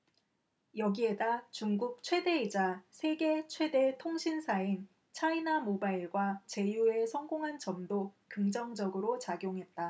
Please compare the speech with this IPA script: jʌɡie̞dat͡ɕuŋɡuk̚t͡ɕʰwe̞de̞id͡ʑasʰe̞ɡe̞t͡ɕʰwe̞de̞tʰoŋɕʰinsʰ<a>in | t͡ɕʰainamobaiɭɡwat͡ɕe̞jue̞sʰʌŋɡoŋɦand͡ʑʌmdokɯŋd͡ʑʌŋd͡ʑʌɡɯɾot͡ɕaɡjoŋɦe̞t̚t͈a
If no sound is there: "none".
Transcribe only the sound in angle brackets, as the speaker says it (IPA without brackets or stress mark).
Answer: a